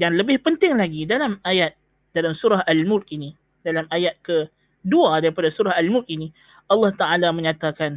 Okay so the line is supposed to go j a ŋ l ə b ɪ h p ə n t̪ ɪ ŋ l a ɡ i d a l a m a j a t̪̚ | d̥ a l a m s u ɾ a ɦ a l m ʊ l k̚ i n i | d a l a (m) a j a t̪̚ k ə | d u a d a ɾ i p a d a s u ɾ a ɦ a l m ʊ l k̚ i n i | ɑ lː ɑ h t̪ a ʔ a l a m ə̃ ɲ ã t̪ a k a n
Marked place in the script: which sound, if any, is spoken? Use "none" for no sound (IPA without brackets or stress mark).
m